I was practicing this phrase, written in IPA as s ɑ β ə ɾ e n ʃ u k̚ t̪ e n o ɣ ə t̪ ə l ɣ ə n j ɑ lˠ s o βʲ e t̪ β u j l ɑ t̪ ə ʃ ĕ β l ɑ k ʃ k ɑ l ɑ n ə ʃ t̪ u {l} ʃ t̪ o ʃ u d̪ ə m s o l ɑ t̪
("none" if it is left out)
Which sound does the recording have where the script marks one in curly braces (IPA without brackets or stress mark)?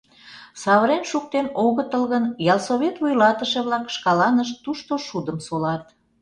none